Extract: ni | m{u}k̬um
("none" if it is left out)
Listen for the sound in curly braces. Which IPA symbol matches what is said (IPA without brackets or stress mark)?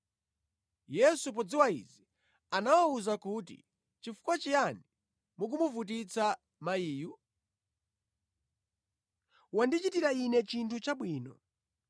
u